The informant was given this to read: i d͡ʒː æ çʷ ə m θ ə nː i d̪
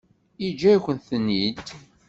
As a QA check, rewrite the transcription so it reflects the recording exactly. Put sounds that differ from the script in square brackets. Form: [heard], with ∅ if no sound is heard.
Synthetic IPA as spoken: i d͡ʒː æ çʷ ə [n] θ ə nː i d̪